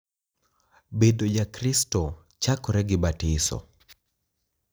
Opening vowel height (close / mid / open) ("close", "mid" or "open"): mid